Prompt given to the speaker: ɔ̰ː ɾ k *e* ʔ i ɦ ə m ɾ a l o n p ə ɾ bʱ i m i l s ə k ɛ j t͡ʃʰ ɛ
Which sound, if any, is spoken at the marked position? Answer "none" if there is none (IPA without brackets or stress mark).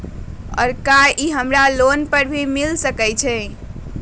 a